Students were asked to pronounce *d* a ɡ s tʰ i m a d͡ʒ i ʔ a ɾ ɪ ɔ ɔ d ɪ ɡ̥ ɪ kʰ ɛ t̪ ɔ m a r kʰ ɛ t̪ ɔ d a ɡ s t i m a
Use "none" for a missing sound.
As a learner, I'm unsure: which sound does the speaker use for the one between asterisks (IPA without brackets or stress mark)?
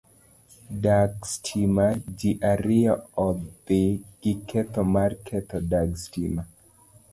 d